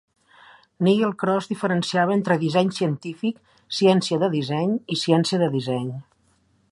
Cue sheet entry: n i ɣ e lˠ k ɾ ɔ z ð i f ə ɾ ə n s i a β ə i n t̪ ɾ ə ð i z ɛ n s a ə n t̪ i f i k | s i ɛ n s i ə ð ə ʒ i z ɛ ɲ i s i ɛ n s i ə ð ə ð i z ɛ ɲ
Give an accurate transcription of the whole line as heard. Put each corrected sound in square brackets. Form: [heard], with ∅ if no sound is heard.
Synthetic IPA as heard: n i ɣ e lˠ k ɾ ɔ z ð i f ə ɾ ə n s i a β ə [e] n t̪ ɾ ə ð i z ɛ [ɲ] s [i] ə n t̪ i f i k | s i ɛ n s i ə ð ə [ð] i z ɛ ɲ i s i ɛ n s i ə ð ə ð i z ɛ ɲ